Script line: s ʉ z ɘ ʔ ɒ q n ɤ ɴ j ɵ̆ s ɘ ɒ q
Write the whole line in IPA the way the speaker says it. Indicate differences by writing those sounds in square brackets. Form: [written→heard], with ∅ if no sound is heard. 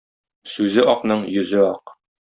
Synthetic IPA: s ʉ z ɘ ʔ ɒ q n ɤ ɴ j ɵ̆ [s→z] ɘ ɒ q